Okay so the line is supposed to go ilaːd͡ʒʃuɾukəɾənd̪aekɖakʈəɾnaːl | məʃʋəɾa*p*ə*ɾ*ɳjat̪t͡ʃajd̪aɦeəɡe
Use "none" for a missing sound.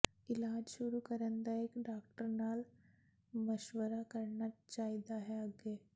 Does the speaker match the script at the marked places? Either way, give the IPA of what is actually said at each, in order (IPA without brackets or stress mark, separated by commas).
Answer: k, ɾ